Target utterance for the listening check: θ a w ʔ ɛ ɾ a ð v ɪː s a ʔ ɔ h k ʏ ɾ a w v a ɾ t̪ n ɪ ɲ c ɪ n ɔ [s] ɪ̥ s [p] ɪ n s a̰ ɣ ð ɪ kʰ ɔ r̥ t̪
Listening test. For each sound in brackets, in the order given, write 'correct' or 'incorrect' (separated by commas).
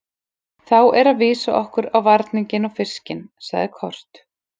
incorrect, incorrect